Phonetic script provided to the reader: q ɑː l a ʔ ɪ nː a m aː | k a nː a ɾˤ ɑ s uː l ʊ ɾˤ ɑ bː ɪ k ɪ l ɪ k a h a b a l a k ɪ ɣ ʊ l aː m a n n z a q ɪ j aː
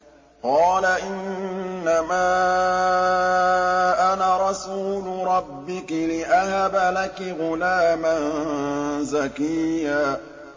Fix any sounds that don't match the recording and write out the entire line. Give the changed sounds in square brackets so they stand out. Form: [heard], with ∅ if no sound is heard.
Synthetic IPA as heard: q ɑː l a ʔ ɪ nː a m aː | [ʔ] a [n] a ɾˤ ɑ s uː l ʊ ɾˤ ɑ bː ɪ k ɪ l ɪ [ʔ] a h a b a l a k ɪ ɣ ʊ l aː m a n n z a [k] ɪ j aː